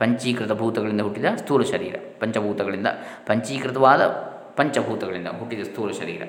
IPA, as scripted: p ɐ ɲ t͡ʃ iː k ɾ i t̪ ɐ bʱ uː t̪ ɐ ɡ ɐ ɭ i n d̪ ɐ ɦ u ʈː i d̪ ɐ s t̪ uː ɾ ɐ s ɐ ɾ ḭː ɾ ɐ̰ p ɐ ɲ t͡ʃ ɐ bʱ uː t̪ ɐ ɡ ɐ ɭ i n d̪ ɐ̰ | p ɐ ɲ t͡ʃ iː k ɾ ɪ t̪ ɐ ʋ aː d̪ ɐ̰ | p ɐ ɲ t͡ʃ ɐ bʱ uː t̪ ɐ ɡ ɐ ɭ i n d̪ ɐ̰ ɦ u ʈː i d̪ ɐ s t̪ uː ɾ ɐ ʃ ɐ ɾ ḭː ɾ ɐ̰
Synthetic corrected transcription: p ɐ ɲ t͡ʃ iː k ɾ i t̪ ɐ bʱ uː t̪ ɐ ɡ ɐ ɭ i n d̪ ɐ ɦ u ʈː i d̪ ɐ s t̪ uː ɾ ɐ ʃ ɐ ɾ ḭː ɾ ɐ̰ p ɐ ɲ t͡ʃ ɐ bʱ uː t̪ ɐ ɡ ɐ ɭ i n d̪ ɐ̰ | p ɐ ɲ t͡ʃ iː k ɾ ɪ t̪ ɐ ʋ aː d̪ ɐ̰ | p ɐ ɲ t͡ʃ ɐ bʱ uː t̪ ɐ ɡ ɐ ɭ i n d̪ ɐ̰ ɦ u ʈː i d̪ ɐ s t̪ uː ɾ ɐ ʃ ɐ ɾ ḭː ɾ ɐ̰